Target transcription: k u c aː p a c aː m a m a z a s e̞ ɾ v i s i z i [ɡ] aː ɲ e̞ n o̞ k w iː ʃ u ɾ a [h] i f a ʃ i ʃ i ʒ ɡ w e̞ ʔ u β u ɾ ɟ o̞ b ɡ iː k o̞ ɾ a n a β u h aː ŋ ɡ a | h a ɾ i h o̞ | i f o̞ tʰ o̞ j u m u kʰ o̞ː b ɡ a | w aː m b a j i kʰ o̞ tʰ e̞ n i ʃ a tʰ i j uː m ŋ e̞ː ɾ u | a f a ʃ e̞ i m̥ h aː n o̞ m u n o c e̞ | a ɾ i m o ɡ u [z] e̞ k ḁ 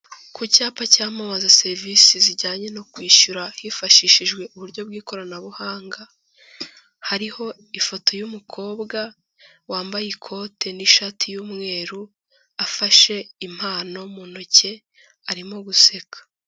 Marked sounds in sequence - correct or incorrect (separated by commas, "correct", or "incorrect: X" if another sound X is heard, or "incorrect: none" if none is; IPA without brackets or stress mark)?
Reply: incorrect: ɟ, correct, incorrect: s